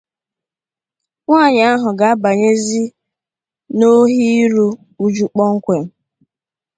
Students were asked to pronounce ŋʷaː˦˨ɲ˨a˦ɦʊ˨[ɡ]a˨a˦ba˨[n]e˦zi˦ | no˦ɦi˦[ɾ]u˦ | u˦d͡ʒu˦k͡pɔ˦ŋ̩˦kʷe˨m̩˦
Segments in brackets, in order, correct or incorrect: correct, incorrect: ɲ, correct

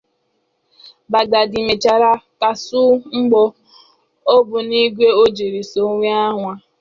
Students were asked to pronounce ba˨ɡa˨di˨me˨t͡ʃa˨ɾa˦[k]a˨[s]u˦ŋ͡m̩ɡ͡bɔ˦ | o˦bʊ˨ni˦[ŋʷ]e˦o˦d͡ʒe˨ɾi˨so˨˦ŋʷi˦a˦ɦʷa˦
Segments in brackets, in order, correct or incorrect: correct, correct, incorrect: ɡʷ

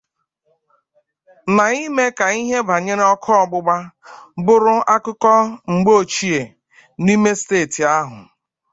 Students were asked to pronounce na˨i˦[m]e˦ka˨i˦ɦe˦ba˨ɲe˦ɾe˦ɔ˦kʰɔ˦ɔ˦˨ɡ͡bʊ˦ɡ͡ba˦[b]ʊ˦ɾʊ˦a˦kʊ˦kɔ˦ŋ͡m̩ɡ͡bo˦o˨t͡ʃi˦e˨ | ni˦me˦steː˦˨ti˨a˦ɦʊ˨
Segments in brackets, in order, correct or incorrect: correct, correct

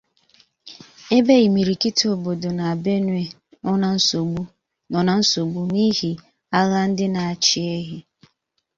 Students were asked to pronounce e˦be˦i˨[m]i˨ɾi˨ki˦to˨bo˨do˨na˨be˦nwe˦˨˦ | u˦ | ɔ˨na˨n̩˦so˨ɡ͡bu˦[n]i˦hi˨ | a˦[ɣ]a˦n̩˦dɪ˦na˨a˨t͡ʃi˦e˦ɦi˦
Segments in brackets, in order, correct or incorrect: correct, correct, correct

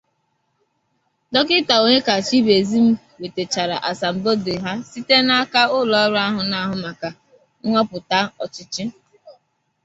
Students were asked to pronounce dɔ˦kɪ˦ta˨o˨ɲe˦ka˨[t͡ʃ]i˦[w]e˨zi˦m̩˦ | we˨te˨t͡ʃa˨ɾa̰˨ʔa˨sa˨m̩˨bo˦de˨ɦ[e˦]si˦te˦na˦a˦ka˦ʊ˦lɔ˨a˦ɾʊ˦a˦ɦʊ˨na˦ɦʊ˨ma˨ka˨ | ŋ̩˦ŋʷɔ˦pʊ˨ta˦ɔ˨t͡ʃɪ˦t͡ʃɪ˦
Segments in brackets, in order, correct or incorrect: correct, incorrect: b, incorrect: a˦

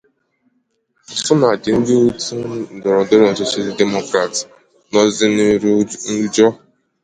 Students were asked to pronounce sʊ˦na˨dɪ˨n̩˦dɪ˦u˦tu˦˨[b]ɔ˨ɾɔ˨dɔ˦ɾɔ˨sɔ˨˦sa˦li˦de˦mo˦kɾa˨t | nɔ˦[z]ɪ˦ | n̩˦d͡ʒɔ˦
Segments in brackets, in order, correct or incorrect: incorrect: d, correct

